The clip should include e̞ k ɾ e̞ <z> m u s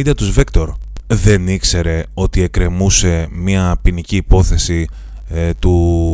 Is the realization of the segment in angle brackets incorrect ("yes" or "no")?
yes